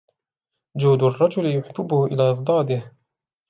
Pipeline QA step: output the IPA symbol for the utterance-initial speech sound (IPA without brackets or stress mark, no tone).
d͡ʒ